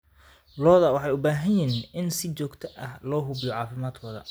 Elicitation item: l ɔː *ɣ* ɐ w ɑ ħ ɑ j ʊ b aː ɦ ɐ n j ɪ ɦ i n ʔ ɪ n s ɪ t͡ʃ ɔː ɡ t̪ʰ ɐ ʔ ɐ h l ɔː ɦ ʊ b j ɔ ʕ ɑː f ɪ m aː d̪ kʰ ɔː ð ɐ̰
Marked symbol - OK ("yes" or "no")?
no